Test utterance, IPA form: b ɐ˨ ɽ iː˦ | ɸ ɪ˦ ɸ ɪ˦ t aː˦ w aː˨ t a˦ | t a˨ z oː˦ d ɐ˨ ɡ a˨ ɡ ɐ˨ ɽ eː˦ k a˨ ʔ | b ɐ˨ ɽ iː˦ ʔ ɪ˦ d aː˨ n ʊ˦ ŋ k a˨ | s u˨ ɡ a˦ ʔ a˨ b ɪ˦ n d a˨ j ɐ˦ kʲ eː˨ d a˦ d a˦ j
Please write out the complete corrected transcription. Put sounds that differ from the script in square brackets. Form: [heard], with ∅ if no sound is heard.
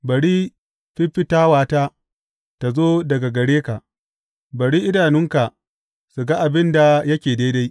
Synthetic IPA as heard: b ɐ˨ ɽ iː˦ | ɸ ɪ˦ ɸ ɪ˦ t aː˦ w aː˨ t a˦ | t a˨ z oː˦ d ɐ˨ ɡ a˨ ɡ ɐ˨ ɽ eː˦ k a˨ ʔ | b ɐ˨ ɽ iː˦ ʔ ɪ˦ d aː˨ n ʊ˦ ŋ k a˨ | s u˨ ɡ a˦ ʔ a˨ b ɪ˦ n d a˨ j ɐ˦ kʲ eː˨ d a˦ d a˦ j